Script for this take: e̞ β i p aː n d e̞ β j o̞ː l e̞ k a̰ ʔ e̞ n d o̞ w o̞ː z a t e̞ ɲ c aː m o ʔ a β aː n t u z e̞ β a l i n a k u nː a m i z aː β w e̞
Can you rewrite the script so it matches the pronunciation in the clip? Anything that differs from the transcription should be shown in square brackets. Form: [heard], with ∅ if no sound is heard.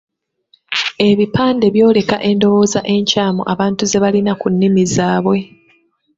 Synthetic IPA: e̞ β i p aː n d e̞ β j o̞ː l e̞ k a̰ ʔ e̞ n d o̞ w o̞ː z a [ʔ] e̞ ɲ c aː m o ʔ a β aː n t u z e̞ β a l i n a k u nː [i] m i z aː β w e̞